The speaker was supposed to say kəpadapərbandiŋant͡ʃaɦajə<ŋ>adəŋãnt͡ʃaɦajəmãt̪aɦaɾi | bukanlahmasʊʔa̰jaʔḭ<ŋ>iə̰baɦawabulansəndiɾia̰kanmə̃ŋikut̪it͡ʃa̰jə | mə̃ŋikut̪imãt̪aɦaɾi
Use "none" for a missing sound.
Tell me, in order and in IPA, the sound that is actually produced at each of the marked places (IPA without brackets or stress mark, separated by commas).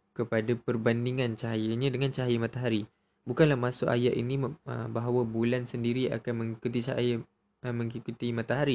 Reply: ɲ, n